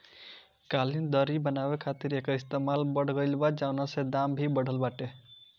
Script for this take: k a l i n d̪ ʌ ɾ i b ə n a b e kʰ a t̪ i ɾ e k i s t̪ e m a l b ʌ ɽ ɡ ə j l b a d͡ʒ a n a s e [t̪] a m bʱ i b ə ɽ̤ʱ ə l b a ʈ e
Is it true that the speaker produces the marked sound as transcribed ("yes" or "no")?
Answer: no